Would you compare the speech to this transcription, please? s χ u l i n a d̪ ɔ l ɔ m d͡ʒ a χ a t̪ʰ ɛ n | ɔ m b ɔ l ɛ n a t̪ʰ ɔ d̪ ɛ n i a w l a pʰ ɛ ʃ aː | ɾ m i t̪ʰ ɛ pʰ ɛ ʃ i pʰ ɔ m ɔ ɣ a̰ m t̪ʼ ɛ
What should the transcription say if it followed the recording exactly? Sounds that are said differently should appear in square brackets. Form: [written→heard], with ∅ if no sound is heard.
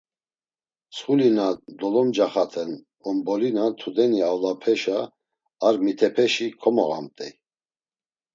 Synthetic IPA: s χ u l i n a d̪ ɔ l ɔ m d͡ʒ a χ a t̪ʰ ɛ n | ɔ m b ɔ l [ɛ→i] n a t̪ʰ [ɔ→u] d̪ ɛ n i a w l a pʰ ɛ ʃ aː | ɾ m i t̪ʰ ɛ pʰ ɛ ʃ i [pʰ→kʰ] ɔ m ɔ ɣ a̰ m t̪ʼ ɛ